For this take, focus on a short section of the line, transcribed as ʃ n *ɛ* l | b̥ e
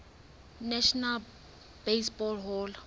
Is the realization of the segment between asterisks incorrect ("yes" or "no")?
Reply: yes